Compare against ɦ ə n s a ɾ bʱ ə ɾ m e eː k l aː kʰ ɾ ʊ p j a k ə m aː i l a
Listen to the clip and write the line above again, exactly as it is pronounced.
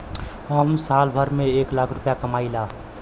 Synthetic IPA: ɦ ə m s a l bʱ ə ɾ m e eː k l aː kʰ ɾ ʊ p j a k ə m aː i l a